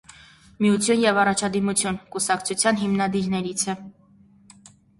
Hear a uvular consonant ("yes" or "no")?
no